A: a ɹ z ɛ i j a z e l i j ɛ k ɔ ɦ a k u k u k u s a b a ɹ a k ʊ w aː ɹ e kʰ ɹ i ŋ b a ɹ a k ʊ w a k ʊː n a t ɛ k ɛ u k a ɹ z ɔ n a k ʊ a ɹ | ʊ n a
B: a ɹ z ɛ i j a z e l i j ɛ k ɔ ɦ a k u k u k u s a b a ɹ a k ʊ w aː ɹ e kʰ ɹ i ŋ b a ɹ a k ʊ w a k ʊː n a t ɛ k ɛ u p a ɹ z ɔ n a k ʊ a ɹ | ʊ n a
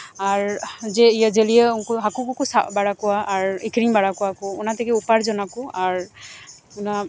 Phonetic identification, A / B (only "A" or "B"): B